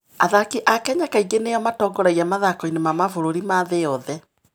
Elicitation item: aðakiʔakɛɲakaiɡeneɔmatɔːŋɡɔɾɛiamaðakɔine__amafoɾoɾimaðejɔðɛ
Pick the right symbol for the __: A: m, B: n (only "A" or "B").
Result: A